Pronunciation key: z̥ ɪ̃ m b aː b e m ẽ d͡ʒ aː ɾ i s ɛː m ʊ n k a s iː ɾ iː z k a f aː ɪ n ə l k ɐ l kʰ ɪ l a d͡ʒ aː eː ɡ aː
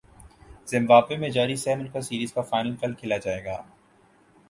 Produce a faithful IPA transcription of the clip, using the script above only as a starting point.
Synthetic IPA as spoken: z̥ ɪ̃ m b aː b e m ẽ d͡ʒ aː ɾ i s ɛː m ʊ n k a s iː ɾ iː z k a f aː ɪ n ə l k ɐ l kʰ ɪ l a d͡ʒ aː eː ɡ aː